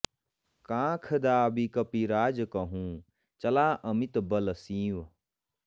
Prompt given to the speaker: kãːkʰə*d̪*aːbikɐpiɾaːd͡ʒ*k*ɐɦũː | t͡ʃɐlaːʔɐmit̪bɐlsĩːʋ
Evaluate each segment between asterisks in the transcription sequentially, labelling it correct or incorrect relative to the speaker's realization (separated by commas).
correct, correct